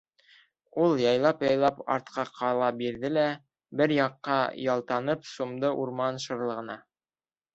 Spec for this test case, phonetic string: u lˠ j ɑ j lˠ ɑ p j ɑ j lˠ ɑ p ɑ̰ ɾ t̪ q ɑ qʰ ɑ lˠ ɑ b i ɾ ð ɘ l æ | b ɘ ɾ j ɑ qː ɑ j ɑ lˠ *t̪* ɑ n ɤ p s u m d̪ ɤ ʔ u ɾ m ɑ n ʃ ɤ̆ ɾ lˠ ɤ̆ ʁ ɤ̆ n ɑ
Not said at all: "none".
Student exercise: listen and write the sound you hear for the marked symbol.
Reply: t̪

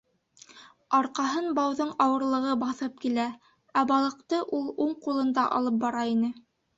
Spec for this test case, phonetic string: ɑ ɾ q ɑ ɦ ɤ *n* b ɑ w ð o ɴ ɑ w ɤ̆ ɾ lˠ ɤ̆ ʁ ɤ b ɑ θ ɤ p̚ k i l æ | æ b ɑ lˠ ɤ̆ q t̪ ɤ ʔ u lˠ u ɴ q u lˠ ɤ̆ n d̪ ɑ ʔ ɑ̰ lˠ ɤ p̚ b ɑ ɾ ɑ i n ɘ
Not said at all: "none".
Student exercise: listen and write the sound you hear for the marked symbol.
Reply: n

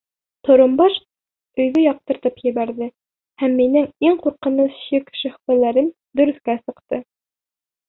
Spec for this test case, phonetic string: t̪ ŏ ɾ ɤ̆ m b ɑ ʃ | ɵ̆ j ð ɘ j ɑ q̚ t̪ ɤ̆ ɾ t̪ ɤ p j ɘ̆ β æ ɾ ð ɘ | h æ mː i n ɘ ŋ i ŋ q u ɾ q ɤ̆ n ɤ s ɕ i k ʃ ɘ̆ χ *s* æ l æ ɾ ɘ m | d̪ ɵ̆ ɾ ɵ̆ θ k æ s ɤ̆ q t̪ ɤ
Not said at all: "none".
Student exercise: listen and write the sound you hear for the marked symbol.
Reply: f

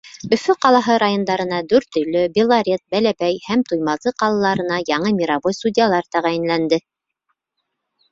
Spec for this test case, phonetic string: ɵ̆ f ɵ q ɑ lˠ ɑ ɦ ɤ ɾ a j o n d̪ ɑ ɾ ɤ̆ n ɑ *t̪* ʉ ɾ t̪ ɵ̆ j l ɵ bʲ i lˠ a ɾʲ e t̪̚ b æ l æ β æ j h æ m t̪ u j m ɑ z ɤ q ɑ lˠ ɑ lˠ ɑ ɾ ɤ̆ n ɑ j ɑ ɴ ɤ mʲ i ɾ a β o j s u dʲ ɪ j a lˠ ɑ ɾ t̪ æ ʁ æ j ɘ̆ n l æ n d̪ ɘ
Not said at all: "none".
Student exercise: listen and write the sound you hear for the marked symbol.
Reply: d̪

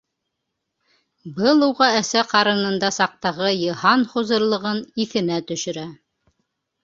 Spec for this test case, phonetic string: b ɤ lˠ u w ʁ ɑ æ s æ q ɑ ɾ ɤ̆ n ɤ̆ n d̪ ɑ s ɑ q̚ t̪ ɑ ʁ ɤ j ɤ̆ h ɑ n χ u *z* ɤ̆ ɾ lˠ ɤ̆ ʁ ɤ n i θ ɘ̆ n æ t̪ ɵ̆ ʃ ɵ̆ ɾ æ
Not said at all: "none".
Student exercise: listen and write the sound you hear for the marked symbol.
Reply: z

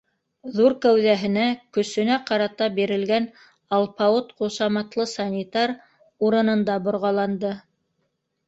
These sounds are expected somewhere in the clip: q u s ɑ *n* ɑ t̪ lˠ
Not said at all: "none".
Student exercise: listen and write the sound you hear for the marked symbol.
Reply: m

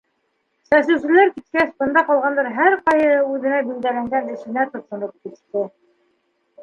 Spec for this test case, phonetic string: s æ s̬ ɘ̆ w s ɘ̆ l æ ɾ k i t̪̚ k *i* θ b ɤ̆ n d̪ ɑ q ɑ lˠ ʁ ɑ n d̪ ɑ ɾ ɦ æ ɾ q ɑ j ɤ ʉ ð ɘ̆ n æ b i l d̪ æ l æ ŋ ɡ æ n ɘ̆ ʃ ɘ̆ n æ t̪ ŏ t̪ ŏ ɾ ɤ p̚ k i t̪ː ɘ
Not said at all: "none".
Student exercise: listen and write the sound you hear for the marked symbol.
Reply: æ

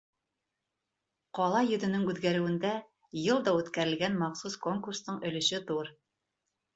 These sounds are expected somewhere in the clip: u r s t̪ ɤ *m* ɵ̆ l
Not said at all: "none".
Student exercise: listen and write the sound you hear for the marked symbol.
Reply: ɴ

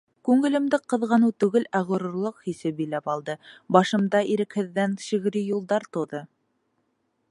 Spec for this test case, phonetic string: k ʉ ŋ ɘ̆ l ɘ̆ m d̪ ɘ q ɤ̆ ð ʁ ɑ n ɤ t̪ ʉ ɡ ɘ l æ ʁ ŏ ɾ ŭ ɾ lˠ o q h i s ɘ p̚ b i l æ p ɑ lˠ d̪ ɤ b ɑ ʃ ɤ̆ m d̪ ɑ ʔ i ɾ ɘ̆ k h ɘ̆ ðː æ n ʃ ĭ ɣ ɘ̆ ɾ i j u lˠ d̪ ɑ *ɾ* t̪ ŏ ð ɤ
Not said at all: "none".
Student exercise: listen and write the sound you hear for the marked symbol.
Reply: ɾ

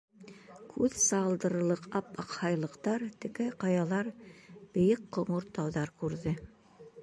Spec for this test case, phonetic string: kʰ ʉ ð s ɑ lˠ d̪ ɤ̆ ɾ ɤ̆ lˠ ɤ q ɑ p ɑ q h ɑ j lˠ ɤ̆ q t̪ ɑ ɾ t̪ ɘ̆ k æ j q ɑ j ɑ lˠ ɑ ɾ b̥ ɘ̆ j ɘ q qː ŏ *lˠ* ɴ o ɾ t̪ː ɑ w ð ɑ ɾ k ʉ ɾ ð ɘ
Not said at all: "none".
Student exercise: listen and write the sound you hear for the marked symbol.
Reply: none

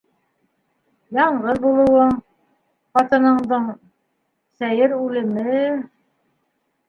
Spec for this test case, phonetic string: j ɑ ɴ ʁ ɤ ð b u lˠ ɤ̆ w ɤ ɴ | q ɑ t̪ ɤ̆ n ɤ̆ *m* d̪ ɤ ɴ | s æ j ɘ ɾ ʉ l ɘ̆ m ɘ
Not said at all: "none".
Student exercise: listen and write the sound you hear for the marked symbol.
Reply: ɴ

